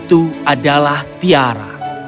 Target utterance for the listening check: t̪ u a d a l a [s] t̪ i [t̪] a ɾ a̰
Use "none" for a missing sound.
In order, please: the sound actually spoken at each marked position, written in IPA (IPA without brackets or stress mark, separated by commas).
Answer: h, none